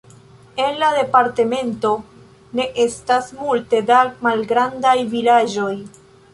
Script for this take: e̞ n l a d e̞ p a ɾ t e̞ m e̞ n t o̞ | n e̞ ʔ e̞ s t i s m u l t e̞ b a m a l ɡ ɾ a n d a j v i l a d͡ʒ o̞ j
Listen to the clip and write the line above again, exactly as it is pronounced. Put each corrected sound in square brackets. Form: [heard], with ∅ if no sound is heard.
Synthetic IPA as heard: e̞ n l a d e̞ p a ɾ t e̞ m e̞ n t o̞ | n e̞ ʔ e̞ s t [a] s m u l t e̞ [d] a m a l ɡ ɾ a n d a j v i l a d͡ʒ o̞ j